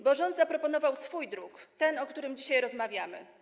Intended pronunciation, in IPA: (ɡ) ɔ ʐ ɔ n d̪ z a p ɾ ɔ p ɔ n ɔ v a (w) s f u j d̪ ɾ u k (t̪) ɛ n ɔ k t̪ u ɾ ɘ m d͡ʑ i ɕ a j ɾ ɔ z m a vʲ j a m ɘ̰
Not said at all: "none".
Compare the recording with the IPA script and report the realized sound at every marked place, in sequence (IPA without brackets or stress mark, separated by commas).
b, w, t̪